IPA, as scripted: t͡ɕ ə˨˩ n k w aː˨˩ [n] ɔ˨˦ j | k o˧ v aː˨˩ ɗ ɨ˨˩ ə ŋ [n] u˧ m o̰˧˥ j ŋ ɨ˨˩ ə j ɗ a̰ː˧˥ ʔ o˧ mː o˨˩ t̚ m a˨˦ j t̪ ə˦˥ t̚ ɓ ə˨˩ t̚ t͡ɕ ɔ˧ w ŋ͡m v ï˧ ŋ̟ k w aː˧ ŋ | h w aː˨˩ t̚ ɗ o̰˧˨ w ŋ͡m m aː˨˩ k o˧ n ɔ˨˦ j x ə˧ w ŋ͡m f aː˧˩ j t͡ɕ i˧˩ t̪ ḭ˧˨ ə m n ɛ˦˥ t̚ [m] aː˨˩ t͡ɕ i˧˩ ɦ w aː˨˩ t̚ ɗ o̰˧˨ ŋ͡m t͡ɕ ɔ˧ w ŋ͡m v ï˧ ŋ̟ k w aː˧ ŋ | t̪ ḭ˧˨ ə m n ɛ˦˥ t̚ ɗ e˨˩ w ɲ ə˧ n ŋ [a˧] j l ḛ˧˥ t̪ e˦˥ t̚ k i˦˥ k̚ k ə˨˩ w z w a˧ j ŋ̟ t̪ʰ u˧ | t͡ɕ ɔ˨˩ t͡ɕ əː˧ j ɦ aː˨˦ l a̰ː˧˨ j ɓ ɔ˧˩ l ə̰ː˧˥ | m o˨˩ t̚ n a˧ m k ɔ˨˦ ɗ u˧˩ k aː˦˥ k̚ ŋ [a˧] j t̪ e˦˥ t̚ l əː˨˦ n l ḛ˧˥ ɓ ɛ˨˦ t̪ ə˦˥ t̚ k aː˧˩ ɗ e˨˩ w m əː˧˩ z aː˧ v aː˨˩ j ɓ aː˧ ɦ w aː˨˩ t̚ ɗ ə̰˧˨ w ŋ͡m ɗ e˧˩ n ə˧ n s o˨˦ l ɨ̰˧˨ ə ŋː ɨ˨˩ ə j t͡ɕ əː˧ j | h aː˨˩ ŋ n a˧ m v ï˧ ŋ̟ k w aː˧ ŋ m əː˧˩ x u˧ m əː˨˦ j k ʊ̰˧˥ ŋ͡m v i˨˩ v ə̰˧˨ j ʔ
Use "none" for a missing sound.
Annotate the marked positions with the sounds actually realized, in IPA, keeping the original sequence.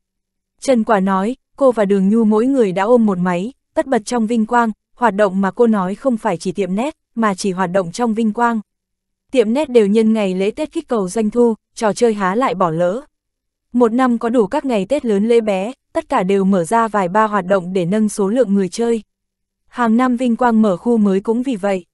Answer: n, ɲ, m, a˨˩, a˨˩

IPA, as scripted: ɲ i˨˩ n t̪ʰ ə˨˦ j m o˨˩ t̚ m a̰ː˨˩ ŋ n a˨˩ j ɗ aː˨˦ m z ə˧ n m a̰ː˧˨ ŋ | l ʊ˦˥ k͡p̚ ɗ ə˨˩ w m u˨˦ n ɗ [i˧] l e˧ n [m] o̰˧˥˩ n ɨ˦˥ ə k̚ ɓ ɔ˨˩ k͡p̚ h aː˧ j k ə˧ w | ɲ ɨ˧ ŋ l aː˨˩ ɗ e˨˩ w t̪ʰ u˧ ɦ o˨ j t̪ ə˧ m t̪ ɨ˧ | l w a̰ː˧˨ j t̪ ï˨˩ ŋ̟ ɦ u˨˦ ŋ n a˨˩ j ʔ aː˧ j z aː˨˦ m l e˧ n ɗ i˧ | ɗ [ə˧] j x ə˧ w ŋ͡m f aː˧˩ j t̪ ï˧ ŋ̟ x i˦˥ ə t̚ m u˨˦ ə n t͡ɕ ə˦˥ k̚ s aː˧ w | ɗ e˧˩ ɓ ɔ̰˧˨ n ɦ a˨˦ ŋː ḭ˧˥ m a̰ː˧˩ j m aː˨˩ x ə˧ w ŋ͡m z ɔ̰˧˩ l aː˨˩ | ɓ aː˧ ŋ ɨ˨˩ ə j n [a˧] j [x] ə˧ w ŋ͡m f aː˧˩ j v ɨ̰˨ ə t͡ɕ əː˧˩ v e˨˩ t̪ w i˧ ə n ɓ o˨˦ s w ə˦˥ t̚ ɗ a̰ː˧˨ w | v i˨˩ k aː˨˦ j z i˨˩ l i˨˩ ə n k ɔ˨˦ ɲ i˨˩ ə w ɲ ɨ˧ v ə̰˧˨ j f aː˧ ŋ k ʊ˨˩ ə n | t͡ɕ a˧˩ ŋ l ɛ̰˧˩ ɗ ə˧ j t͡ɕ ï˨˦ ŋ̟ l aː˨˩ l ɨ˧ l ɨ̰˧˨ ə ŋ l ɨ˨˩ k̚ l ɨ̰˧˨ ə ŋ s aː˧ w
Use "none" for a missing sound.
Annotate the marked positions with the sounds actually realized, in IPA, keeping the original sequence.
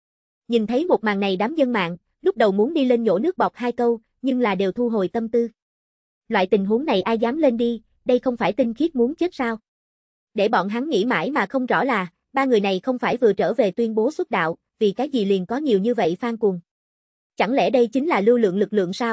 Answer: i˧, ɲ, ə˧, a˨˩, x

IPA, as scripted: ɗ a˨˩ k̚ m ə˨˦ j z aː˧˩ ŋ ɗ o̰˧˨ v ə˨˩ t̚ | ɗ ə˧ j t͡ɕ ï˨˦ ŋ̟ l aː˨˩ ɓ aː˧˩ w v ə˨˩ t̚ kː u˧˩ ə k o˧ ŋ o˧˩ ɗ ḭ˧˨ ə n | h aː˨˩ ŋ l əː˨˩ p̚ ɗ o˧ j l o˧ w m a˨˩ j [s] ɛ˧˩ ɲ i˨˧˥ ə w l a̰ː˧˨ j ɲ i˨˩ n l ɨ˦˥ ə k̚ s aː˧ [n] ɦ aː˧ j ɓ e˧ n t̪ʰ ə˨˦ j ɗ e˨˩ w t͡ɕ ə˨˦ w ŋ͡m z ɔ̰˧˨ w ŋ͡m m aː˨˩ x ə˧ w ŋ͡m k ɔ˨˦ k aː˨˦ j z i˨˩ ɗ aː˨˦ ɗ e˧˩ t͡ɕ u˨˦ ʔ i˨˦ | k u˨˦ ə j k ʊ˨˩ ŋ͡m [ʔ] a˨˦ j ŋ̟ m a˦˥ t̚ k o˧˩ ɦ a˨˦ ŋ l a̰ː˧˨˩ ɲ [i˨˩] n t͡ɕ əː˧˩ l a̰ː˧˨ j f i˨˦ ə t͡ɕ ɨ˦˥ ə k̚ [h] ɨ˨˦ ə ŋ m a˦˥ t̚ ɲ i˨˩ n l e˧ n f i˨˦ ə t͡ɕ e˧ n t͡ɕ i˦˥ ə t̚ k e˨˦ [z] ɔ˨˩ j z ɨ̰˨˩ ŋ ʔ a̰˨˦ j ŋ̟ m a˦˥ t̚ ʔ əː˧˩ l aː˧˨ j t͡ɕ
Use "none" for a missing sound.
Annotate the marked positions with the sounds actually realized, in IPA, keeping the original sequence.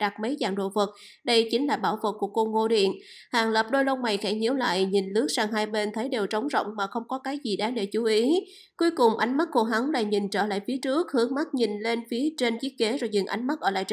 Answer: x, ŋ, ʔ, i˨˩, h, z

